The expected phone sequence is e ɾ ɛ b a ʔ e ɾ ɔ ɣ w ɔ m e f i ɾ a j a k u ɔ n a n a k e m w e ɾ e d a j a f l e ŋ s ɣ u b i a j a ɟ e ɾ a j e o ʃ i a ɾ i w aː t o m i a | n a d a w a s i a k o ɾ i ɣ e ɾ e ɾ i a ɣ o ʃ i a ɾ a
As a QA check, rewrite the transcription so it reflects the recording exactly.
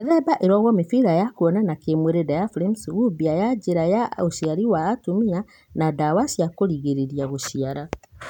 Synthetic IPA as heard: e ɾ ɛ b a ʔ e ɾ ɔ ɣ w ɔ m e f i ɾ a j a k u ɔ n a n a k e m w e ɾ e d a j a f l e m s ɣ u b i a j a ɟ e ɾ a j a o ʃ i a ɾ i w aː t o m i a | n a d a w a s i a k o ɾ i ɣ e ɾ e ɾ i a ɣ o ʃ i a ɾ a